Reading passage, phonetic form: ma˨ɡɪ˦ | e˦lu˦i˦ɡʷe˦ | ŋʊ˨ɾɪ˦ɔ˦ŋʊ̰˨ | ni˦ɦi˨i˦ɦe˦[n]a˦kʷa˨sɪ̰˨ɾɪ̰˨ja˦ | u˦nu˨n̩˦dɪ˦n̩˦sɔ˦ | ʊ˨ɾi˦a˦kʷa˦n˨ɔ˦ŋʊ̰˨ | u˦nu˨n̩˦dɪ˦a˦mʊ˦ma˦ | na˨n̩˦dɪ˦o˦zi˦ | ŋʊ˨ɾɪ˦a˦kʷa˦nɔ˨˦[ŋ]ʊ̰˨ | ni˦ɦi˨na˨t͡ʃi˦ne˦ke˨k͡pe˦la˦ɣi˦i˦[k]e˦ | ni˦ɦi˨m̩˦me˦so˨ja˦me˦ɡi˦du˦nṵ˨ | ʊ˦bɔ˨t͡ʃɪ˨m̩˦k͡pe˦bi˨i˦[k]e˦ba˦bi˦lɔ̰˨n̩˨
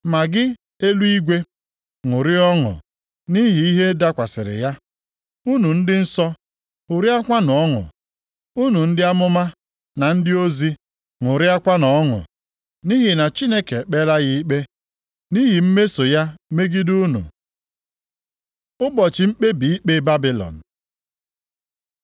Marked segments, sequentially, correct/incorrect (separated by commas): incorrect, correct, incorrect, incorrect